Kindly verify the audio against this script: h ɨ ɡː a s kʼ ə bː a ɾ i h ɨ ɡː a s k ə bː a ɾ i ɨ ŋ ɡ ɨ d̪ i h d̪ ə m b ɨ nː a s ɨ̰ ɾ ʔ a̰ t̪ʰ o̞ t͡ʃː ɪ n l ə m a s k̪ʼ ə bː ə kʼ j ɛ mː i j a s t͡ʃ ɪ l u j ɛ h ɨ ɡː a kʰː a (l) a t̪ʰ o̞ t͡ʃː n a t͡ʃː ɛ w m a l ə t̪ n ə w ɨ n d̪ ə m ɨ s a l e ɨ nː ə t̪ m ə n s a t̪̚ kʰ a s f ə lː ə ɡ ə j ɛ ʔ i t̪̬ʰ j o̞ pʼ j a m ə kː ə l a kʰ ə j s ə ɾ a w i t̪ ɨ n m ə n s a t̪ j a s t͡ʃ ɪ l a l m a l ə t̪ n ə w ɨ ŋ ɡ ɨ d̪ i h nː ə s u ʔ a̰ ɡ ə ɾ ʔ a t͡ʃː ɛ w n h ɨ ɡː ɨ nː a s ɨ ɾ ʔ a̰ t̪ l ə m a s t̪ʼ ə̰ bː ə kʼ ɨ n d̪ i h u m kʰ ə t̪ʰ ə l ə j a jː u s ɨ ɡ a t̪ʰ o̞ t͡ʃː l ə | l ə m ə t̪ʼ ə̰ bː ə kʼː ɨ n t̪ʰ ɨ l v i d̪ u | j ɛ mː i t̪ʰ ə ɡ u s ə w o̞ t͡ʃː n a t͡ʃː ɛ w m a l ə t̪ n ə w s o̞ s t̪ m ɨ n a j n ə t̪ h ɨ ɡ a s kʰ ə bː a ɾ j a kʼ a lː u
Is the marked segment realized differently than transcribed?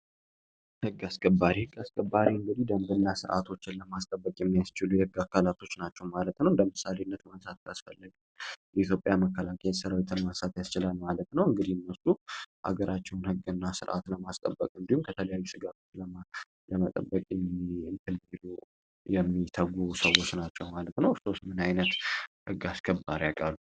no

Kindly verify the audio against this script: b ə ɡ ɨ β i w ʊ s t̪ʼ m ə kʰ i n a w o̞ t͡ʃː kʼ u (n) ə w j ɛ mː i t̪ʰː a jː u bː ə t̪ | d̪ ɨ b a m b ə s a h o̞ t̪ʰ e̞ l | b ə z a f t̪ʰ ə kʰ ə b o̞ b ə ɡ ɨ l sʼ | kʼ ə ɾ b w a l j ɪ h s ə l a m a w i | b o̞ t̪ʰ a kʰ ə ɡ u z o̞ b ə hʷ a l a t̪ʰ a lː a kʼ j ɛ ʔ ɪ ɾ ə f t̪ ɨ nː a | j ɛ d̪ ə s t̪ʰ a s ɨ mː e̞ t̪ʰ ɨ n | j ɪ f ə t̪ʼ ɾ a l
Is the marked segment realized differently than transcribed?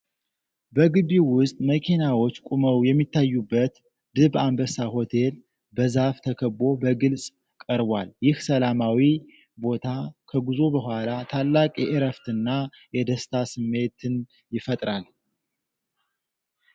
yes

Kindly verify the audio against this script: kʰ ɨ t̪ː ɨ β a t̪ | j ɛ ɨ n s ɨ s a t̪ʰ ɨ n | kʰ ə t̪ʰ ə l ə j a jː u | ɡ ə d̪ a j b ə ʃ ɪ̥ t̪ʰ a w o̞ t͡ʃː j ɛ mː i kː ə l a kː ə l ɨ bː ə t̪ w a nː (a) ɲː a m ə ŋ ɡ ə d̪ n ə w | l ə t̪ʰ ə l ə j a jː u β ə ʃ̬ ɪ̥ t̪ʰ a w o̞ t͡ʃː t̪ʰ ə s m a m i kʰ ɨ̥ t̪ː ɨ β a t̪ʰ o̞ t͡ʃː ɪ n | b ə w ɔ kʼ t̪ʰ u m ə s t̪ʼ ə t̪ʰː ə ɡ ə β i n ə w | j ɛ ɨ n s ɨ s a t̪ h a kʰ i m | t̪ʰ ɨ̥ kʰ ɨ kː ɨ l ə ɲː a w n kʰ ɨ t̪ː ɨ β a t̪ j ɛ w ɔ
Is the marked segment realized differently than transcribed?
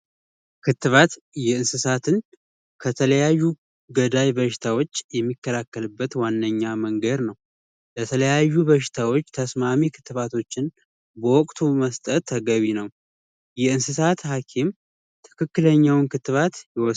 yes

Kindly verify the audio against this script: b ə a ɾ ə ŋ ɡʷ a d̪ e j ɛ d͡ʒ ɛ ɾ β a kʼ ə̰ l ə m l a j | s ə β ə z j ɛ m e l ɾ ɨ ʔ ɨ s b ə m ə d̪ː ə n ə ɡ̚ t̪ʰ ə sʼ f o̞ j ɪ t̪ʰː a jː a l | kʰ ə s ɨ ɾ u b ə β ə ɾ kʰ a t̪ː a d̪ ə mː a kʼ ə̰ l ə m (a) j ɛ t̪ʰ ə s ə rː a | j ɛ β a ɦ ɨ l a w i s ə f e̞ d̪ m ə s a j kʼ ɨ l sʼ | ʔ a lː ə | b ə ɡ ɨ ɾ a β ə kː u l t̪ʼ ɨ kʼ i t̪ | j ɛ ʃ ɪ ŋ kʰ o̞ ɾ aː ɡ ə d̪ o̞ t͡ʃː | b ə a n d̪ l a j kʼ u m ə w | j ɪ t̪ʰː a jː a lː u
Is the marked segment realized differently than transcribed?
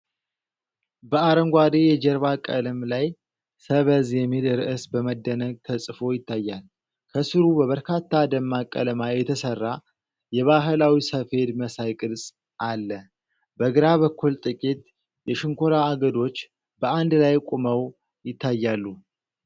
no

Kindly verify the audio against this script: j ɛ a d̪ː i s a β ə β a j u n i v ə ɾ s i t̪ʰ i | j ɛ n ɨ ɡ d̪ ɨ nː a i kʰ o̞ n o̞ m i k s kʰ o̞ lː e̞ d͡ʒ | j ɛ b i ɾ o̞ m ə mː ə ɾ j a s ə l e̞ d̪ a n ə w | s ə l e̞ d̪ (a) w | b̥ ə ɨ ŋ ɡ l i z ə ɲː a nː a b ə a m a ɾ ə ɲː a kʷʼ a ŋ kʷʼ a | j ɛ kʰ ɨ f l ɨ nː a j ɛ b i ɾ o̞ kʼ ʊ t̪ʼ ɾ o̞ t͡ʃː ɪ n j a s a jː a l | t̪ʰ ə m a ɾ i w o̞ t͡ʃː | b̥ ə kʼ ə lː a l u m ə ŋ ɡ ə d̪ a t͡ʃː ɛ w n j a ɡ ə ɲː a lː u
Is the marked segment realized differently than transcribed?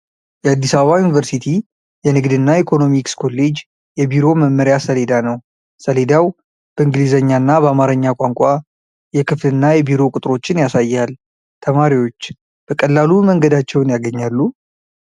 no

